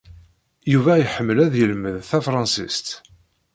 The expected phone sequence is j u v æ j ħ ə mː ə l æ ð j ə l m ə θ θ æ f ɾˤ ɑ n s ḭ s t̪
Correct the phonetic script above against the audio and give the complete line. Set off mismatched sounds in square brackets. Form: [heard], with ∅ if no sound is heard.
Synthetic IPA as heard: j u v æ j ħ ə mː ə l æ ð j ə l m ə [ð] θ æ f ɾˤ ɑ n s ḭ s t̪